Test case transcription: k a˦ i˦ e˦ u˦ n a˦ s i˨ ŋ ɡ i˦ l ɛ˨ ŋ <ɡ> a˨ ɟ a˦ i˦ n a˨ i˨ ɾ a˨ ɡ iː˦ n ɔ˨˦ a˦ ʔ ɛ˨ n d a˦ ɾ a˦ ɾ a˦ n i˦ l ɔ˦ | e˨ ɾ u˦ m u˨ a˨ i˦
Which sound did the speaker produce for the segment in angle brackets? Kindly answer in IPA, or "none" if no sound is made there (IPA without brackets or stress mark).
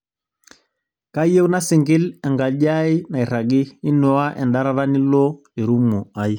ɡ